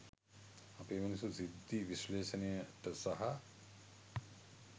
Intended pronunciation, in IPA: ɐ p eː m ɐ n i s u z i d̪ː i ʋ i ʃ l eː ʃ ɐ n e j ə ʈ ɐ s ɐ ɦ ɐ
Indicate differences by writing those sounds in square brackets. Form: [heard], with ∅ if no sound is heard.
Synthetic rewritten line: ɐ p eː m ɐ n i s u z i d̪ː i ʋ i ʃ l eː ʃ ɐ n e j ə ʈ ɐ s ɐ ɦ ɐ